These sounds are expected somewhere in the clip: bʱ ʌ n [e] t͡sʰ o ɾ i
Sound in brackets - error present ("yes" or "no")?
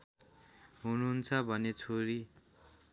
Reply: no